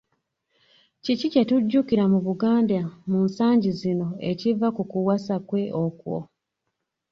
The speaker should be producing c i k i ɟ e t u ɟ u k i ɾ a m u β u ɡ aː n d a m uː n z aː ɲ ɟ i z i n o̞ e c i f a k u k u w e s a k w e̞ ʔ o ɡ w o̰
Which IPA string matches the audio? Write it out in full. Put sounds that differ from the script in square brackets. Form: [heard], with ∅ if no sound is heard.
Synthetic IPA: c i [c] i [c] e t u [ɟː] u k i ɾ a m u β u ɡ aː n d a m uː n [s] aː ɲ ɟ i z i n o̞ e c i [v] a k u k u w [a] s a k w e̞ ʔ o [k] w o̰